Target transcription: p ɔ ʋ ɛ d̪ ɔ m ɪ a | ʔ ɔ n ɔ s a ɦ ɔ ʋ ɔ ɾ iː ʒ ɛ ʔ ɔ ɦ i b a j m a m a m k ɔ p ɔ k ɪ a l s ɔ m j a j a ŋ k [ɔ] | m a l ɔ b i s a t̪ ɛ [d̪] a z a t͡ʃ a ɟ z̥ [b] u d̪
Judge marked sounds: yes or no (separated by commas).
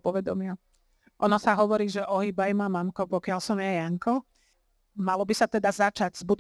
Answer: yes, yes, yes